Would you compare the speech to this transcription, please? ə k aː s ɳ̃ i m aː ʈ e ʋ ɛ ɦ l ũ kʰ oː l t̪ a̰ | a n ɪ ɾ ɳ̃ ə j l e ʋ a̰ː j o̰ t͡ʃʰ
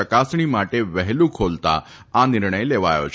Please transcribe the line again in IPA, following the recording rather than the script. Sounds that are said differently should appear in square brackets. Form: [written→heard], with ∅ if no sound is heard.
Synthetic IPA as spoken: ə k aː s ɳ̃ i m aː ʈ e ʋ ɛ ɦ l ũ kʰ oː l t̪ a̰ | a n ɪ ɾ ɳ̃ ə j l e ʋ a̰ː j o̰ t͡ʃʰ